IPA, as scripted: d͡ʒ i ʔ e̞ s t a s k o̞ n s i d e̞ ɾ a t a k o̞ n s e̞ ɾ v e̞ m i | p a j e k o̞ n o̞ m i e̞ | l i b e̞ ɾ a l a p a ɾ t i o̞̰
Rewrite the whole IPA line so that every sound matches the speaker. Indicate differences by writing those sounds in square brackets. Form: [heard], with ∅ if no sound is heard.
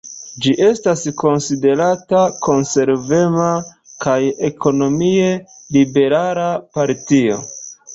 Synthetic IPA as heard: d͡ʒ i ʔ e̞ s t a s k o̞ n s i d e̞ ɾ a t a k o̞ n s e̞ ɾ v e̞ m [a] | [k] a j e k o̞ n o̞ m i e̞ | l i b e̞ ɾ a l a p a ɾ t i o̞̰